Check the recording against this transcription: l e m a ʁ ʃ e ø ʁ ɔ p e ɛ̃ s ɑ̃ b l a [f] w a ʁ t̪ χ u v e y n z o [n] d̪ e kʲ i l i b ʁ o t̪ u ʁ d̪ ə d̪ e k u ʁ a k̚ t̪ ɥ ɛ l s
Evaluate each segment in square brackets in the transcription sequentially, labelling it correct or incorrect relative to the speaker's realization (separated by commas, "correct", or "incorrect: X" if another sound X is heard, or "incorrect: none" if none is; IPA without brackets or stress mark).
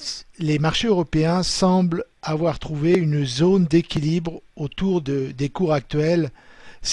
incorrect: v, correct